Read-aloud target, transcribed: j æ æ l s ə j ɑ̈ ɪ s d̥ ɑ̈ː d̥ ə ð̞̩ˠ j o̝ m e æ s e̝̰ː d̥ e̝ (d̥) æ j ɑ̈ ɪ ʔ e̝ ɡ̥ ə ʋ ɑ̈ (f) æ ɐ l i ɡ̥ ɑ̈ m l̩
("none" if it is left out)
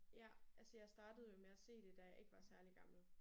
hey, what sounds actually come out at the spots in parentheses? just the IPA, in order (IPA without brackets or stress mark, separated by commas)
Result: d̥, s